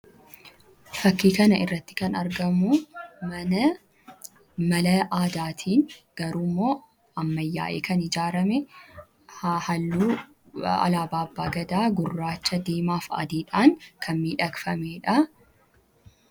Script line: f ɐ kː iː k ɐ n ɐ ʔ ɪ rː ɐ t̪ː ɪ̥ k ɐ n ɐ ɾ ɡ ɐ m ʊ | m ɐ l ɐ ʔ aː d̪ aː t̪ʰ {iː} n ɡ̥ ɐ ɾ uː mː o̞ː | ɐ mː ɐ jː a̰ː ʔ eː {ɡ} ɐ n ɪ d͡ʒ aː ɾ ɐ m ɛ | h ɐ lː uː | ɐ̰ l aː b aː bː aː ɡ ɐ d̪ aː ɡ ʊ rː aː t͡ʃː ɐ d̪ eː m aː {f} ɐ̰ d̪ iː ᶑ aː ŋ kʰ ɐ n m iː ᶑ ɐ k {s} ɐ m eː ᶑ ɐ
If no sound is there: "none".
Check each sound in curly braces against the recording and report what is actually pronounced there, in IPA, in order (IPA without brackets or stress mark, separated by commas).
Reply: iː, k, f, f